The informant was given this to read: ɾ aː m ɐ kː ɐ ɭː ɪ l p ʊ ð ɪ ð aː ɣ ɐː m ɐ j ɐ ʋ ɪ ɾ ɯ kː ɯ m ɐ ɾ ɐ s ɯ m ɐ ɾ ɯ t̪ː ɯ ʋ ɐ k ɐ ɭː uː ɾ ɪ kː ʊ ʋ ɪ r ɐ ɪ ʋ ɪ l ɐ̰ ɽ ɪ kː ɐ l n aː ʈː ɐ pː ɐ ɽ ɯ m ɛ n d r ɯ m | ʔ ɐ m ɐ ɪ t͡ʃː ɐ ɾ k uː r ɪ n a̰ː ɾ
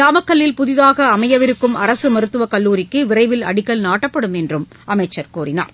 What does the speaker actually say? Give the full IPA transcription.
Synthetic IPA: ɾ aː m ɐ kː ɐ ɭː ɪ l p ʊ ð ɪ ð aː ɣ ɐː m ɐ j ɐ ʋ ɪ ɾ ɯ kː ɯ m ɐ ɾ ɐ s ɯ m ɐ ɾ ɯ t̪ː ɯ ʋ ɐ k ɐ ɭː uː ɾ ɪ kː ɯ ʋ ɪ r ɐ ɪ ʋ ɪ l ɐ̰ ɽ ɪ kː ɐ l n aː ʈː ɐ pː ɐ ɽ ɯ m ɛ n d r ɯ m | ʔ ɐ m ɐ ɪ t͡ʃː ɐ ɾ k uː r ɪ n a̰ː ɾ